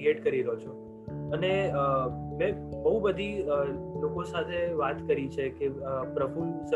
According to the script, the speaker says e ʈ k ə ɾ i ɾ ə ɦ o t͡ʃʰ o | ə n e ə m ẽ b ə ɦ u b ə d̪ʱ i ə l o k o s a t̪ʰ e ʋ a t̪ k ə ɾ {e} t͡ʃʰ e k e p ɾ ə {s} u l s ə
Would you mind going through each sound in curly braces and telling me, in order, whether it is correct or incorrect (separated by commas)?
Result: incorrect, incorrect